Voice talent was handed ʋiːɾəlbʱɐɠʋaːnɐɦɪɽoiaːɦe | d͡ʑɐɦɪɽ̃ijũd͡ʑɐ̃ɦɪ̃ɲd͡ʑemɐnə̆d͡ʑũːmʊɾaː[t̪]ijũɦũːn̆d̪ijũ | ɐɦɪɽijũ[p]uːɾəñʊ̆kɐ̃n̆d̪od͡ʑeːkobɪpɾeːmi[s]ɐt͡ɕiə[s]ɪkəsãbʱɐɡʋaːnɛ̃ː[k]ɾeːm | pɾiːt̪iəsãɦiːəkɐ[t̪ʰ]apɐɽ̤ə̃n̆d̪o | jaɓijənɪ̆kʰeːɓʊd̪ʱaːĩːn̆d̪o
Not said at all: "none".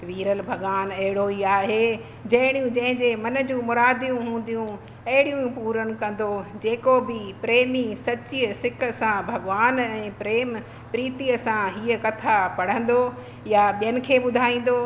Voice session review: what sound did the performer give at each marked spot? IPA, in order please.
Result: d̪, p, s, s, p, t̪ʰ

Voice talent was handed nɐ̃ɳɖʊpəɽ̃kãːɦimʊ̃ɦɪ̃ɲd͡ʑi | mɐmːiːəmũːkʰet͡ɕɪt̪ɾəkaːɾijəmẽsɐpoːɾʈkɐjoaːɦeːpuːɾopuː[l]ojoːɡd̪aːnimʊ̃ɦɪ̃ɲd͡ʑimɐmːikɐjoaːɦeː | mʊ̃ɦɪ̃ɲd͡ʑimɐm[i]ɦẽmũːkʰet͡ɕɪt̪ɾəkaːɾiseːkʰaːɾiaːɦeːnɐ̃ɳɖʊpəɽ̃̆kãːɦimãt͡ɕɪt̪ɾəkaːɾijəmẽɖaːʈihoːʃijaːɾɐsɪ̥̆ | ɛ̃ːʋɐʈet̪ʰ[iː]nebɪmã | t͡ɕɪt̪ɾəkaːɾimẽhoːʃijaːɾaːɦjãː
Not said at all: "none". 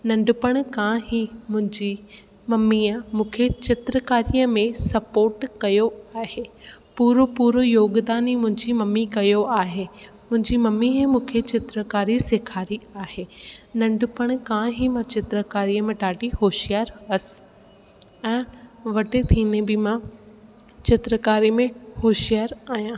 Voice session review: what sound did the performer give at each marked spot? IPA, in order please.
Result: ɾ, i, iː

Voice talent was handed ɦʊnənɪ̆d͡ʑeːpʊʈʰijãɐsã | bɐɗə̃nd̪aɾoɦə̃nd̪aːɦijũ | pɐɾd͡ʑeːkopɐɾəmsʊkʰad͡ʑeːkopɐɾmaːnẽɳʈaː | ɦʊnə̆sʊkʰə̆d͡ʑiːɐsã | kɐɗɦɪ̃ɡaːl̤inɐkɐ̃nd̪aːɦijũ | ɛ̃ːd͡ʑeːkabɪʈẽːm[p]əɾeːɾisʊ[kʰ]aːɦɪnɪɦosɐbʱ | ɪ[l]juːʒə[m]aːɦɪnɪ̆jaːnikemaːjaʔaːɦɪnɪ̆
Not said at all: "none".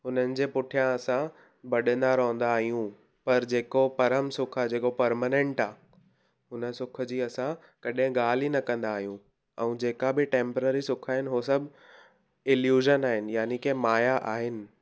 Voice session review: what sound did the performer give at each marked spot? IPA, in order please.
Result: p, kʰ, l, n

